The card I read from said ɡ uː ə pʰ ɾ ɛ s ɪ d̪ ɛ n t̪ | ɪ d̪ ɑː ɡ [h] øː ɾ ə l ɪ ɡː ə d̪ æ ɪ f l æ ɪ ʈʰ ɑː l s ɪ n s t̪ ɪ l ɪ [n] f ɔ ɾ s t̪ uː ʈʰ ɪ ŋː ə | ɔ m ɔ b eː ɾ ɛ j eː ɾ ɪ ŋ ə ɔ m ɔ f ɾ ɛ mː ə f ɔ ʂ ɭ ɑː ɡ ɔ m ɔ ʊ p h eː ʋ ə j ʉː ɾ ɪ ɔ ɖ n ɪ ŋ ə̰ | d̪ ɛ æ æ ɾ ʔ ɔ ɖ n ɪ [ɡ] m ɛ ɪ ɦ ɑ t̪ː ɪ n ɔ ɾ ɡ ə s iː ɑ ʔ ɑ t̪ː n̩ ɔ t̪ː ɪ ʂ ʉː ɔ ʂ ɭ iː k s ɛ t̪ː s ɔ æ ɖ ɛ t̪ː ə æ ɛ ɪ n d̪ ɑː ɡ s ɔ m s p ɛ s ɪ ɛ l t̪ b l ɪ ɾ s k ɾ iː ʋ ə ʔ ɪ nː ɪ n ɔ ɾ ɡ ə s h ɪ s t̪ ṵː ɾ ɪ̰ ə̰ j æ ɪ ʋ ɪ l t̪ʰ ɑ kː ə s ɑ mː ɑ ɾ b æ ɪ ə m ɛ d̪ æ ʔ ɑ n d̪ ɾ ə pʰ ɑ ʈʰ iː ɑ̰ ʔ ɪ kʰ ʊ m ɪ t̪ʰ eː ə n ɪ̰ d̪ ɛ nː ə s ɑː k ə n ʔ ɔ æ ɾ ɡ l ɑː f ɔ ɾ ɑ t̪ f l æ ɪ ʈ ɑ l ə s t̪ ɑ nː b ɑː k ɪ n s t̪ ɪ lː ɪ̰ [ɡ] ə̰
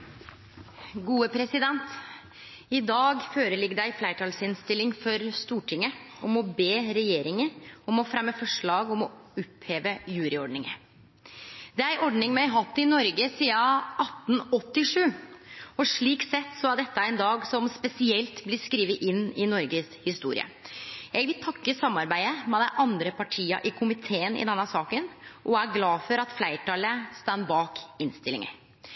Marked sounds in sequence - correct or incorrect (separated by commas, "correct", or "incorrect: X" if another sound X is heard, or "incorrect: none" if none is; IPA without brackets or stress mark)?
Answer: incorrect: f, incorrect: ŋ, incorrect: ŋ, incorrect: ŋ